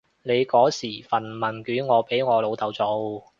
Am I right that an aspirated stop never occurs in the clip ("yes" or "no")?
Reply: yes